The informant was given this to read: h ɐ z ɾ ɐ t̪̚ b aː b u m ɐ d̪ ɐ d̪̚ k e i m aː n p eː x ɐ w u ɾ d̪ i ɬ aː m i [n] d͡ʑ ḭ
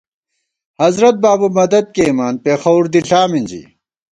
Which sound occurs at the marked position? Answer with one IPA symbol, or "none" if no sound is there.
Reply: n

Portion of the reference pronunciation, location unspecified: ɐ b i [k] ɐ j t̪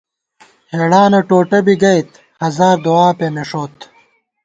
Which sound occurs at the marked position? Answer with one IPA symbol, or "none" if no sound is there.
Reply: ɡ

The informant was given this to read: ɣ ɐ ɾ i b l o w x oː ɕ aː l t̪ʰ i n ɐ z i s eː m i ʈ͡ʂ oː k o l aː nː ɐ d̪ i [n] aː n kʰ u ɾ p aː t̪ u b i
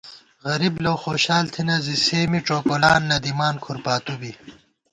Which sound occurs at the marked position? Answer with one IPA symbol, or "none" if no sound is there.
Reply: m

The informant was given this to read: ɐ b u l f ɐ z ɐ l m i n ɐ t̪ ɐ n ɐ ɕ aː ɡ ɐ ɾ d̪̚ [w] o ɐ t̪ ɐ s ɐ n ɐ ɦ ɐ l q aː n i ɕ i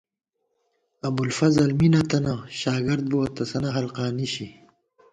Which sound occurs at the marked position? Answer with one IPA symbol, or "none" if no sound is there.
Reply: b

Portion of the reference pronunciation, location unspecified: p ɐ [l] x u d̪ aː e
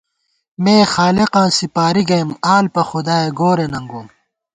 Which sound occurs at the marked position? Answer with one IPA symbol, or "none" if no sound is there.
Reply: none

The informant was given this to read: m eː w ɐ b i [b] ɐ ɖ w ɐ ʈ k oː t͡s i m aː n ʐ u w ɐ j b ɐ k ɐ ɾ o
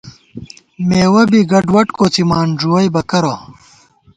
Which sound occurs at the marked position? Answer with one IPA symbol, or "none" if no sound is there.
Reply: ɡ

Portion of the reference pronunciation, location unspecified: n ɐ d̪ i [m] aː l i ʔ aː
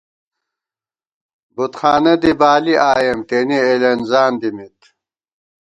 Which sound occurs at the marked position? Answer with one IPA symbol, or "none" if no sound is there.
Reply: b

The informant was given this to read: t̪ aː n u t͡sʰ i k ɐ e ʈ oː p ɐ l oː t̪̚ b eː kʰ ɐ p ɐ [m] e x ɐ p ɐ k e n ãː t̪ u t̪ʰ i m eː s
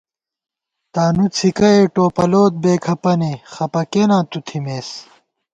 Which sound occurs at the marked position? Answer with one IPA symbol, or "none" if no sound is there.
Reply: n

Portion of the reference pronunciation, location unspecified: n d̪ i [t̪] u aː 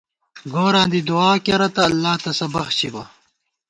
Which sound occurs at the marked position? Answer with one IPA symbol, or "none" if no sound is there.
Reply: d̪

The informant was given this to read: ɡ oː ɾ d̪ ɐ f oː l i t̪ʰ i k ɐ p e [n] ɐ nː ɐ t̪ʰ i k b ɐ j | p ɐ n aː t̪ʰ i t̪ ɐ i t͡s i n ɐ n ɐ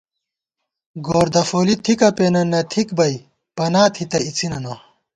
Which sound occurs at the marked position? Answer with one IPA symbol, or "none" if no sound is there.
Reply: n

